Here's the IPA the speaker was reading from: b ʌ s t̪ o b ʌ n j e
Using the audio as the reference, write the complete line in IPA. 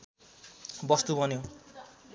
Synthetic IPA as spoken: b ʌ s t̪ u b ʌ n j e